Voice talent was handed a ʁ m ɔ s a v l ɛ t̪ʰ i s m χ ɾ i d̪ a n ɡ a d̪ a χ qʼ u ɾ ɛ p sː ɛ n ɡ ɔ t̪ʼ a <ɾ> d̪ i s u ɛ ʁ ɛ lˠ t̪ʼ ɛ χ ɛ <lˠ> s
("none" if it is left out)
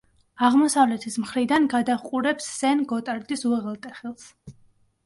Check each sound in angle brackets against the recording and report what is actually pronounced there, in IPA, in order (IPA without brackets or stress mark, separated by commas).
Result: ɾ, lˠ